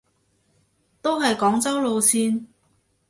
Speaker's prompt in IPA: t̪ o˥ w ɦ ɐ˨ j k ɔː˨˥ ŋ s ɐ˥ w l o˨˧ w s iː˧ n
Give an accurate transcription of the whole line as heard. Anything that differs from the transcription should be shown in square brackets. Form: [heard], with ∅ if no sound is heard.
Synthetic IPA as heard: t̪ o˥ w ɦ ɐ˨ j k ɔː˨˥ ŋ [t͡s] ɐ˥ w l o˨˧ w s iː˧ n